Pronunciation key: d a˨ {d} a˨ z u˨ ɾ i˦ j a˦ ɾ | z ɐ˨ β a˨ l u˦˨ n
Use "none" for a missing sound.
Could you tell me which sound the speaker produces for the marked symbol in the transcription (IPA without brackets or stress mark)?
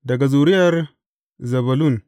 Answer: ɡ